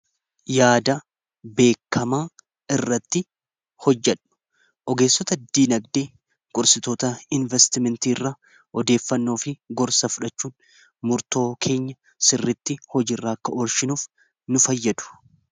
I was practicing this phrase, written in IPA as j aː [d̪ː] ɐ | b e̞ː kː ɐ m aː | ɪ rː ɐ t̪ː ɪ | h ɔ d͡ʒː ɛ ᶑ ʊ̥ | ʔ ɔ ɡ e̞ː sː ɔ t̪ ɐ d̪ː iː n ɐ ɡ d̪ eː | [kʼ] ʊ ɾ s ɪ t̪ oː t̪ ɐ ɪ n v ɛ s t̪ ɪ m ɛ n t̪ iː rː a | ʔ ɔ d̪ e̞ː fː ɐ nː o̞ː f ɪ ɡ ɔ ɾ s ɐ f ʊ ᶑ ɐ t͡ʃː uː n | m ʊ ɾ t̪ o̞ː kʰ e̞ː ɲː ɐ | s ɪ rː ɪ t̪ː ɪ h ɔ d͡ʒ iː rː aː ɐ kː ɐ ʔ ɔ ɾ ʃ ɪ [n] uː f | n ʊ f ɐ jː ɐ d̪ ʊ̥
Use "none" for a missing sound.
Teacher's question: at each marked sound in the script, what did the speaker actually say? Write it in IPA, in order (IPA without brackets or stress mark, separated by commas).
d̪, kʼ, n